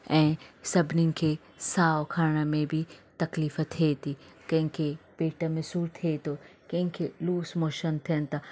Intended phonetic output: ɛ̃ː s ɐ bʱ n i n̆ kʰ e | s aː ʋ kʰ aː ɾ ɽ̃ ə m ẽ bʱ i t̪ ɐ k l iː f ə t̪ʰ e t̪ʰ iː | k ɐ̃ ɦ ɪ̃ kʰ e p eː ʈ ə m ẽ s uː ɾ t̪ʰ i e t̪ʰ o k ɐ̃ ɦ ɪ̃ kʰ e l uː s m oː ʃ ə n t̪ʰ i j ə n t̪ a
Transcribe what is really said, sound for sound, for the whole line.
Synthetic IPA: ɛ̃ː s ɐ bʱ n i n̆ kʰ e | s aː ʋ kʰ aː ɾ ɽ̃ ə m ẽ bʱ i t̪ ɐ k l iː f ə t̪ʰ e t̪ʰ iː | k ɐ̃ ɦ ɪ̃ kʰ e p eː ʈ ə m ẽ s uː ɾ t̪ʰ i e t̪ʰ o k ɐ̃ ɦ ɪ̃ kʰ e l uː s m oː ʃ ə n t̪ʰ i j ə n t̪ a